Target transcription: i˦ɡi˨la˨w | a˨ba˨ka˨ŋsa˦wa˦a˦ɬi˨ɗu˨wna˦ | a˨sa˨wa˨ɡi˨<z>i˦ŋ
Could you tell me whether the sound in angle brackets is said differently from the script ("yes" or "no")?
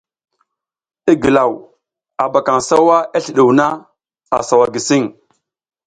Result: yes